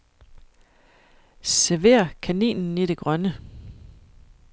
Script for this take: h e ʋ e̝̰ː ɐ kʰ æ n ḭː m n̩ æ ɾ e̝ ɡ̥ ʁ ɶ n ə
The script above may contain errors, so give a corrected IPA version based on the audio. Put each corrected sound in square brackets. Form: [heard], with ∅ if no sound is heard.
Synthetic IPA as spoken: [s] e ʋ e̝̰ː ɐ kʰ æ n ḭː [n] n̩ [i] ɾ e̝ ɡ̥ ʁ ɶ n ə